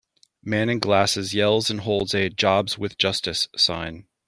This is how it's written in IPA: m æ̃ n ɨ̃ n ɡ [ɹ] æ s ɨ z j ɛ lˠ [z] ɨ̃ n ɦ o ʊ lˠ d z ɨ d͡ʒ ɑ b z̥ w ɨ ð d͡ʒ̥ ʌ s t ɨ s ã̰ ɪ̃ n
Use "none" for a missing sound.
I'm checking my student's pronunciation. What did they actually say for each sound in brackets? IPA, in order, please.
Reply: l, z

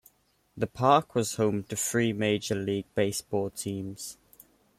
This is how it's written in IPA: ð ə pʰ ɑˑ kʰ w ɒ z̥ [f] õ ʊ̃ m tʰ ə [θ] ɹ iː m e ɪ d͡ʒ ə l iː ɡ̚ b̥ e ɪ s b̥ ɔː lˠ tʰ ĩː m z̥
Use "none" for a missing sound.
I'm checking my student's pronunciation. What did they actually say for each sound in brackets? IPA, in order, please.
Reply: h, f

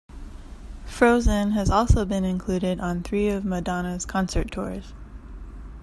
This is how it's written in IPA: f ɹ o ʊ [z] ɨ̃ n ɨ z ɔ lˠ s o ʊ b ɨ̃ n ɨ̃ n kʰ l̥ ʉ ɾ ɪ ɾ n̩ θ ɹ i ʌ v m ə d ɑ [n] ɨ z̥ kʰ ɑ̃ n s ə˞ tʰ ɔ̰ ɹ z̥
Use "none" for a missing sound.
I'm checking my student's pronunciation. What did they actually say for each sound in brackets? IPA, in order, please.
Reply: z, n

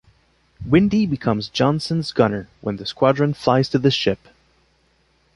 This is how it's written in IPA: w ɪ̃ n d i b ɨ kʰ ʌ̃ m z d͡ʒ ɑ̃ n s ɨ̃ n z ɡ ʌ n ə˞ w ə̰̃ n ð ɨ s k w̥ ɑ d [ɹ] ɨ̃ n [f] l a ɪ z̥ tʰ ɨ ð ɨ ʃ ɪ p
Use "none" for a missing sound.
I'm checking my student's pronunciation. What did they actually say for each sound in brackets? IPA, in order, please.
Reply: ɹ, f

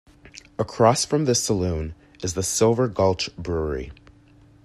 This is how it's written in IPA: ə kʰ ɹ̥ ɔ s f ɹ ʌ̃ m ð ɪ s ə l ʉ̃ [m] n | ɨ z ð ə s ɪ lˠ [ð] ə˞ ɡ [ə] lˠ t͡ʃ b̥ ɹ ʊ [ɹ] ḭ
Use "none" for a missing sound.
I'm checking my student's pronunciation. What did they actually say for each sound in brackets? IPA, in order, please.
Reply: none, v, ʌ, ɹ

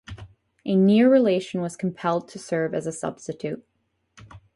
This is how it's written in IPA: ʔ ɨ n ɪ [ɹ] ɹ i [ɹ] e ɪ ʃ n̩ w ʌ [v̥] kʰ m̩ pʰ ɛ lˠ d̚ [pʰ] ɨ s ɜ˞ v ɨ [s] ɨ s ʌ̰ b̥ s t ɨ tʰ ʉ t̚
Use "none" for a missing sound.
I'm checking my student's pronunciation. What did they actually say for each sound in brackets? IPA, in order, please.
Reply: ɹ, l, z̥, tʰ, z

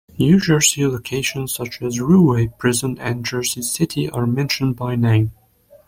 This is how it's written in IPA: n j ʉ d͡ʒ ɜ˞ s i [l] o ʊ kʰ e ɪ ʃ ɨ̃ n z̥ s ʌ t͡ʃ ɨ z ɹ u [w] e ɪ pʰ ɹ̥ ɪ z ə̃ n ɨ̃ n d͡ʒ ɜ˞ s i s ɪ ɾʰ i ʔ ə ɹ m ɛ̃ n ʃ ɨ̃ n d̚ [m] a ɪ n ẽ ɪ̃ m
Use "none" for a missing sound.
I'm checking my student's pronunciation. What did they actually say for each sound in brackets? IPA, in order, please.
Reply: l, w, b

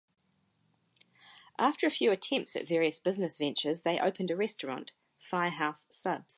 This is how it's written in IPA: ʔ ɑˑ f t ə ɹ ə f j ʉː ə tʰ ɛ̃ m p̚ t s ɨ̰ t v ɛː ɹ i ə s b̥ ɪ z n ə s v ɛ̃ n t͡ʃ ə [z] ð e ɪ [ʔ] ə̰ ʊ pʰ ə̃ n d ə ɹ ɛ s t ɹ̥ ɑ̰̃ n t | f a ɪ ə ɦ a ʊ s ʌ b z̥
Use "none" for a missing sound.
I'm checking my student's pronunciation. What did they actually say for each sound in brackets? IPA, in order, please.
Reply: z, ʔ

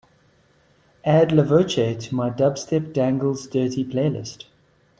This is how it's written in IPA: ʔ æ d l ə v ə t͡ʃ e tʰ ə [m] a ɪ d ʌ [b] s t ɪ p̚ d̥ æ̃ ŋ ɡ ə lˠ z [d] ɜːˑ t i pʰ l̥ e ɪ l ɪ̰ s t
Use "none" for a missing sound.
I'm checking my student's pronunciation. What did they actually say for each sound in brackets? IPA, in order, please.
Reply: m, b, d

